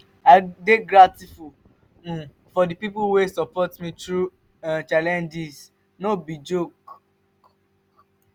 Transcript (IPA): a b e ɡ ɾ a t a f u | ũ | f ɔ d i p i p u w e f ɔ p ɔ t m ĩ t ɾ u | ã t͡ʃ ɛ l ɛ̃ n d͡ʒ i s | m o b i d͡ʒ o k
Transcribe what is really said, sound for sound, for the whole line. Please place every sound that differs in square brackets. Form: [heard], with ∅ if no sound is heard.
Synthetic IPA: a [d] e ɡ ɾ a t [i] f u | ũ | f ɔ d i p i p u w e [s] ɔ p ɔ t m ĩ t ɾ u | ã t͡ʃ [a] l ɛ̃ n d͡ʒ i s | [n] o b i d͡ʒ o k